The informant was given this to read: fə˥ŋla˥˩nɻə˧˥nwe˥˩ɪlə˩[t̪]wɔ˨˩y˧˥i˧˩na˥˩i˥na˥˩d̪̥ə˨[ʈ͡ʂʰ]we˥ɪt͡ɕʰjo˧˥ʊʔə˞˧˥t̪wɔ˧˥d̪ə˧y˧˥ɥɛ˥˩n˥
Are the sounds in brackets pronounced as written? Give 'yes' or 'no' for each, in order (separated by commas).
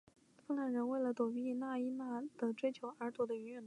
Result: yes, no